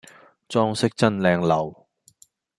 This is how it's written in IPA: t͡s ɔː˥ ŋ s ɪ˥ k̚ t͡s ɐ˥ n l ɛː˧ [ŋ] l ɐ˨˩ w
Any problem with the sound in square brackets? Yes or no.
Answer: no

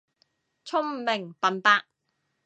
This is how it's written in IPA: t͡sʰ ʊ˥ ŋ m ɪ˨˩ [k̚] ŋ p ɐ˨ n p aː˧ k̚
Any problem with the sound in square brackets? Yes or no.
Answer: yes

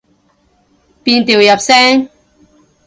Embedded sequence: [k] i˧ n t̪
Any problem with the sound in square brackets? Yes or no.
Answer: yes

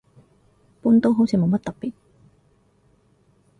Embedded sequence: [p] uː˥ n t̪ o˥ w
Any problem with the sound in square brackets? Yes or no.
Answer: no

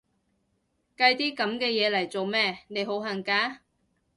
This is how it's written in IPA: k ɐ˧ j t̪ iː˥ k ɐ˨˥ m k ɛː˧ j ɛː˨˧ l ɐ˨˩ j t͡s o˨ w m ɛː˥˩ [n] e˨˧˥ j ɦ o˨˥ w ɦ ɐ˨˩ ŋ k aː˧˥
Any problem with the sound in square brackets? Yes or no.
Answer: no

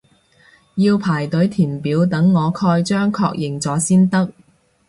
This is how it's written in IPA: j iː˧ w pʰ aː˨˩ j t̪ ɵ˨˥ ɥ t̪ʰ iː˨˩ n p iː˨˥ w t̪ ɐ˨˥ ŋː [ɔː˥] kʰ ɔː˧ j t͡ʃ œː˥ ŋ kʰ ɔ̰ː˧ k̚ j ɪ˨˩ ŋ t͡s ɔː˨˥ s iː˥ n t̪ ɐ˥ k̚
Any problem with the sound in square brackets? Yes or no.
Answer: yes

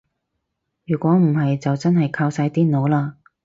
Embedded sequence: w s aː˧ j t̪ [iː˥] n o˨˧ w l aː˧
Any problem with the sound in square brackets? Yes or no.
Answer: no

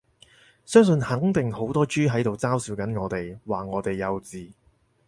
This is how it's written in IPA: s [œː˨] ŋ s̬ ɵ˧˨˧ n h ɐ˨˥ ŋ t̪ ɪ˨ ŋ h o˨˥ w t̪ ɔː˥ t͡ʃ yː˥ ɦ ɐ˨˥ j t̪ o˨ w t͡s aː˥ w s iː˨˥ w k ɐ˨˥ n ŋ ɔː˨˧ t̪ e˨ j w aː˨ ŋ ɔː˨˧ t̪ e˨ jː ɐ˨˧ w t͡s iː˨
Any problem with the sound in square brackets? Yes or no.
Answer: yes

